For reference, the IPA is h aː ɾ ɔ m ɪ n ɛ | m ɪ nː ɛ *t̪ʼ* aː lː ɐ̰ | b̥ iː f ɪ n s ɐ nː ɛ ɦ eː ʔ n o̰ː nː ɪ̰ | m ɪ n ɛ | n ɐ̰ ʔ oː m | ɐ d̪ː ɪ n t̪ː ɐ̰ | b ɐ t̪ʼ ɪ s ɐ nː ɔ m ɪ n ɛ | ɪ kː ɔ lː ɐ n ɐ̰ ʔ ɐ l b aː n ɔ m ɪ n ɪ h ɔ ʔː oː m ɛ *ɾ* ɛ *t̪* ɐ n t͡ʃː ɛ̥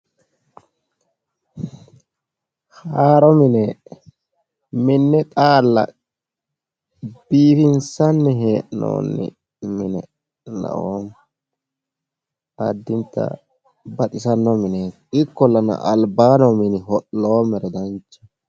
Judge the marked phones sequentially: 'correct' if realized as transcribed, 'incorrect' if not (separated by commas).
correct, correct, incorrect